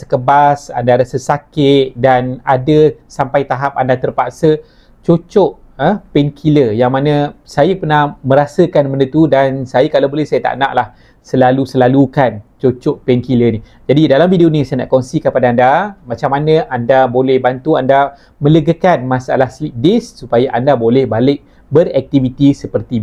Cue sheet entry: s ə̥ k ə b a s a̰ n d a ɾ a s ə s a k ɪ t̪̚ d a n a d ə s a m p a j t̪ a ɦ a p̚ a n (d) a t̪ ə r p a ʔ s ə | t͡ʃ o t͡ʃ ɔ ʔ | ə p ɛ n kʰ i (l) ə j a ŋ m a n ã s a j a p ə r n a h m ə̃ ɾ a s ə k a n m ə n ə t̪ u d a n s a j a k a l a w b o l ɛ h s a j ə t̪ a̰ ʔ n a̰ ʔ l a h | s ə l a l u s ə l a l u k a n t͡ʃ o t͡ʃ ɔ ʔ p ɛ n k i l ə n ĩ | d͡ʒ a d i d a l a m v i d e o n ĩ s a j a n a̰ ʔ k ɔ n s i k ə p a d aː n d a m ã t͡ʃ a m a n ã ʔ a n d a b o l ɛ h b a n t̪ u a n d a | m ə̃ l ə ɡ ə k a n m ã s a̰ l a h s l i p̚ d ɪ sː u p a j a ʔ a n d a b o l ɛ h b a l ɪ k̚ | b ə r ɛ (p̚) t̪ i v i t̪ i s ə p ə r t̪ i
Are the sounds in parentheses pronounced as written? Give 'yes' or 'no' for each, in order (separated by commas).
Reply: yes, yes, no